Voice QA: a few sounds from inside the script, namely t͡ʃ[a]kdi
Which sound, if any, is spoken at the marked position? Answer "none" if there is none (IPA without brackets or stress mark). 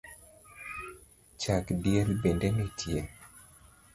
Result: a